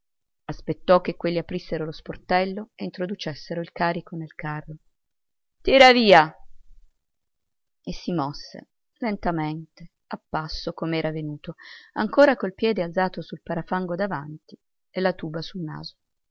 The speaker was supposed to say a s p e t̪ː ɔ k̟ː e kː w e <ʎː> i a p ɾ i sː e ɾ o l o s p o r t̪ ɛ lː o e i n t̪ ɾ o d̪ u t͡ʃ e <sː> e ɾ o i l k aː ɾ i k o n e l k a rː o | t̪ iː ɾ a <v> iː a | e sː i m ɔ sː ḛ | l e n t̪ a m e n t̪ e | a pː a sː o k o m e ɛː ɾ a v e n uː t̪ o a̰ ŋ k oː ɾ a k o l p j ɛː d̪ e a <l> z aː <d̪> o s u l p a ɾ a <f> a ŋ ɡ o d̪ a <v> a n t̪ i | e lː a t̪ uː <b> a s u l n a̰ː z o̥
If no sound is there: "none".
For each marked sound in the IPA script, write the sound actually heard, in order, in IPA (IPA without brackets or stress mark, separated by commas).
lː, sː, v, l, t̪, f, v, b